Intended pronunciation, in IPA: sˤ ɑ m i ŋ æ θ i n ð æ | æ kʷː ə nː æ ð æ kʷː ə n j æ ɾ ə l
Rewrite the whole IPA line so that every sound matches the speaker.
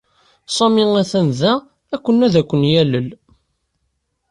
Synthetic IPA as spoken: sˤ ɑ m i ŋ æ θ æ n ð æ | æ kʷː ə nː æ ð æ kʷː ə n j æ l ə l